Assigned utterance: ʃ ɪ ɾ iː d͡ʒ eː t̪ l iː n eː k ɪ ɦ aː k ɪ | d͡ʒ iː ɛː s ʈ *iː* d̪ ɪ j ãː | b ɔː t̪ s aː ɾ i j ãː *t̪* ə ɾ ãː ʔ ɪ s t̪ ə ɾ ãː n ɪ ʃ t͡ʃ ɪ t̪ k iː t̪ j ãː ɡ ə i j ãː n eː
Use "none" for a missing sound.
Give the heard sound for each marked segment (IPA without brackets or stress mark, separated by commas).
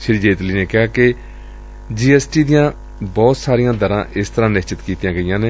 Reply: iː, d̪